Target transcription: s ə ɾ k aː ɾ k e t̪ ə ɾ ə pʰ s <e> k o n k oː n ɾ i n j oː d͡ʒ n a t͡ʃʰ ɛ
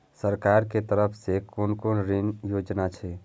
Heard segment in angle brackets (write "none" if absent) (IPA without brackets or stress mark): e